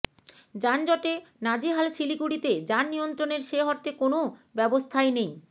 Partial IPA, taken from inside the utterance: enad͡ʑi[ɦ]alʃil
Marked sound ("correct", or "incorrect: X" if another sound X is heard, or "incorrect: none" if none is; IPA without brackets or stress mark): correct